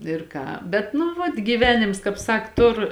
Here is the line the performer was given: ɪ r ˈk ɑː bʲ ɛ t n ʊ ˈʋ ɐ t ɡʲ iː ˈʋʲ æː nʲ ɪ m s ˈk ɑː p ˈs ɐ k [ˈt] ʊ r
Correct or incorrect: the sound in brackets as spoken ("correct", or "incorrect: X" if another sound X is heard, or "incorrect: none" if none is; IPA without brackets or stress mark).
correct